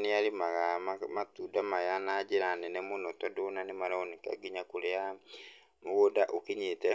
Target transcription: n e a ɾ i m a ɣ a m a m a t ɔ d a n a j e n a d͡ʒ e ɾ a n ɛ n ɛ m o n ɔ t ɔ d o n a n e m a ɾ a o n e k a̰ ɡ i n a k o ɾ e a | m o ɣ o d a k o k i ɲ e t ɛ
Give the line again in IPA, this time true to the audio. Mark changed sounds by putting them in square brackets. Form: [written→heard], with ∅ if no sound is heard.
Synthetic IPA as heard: n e a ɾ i m a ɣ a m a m a t [ɔ→u] d a [n→m] a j [e→a] n a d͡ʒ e ɾ a n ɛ n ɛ m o n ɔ t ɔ d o n a n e m a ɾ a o n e k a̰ ɡ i [n→ɲ] a k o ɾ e a | m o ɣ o d a [k→ʔ] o k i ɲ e t ɛ